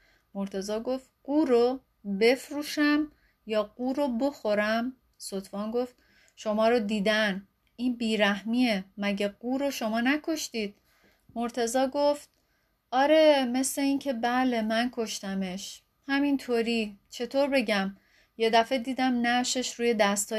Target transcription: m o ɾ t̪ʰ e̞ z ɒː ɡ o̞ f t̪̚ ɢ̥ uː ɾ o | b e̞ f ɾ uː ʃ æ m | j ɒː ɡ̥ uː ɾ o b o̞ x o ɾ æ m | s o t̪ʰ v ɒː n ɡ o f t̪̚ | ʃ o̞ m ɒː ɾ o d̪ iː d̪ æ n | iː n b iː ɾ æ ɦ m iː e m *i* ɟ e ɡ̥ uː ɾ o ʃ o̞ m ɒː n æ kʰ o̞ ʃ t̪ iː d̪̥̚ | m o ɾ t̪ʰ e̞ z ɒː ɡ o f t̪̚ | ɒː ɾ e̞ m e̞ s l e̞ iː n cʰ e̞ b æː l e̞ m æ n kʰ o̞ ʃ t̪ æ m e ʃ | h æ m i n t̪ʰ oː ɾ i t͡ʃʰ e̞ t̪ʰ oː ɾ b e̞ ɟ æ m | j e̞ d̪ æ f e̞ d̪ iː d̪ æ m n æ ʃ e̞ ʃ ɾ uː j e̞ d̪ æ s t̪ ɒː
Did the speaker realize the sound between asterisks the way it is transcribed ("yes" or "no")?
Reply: no